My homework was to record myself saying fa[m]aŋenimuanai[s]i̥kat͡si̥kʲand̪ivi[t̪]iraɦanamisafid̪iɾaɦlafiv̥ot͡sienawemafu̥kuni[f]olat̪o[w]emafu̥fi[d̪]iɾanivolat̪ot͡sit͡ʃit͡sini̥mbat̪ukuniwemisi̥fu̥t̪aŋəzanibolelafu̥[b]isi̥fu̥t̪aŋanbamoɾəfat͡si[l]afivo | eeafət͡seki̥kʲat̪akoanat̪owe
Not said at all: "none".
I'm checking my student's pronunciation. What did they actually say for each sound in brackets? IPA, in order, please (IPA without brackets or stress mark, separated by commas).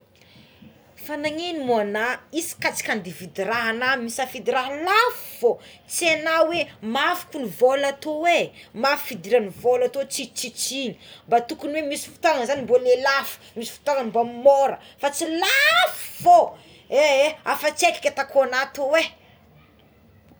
n, s, d̪, v, w, d̪, m, l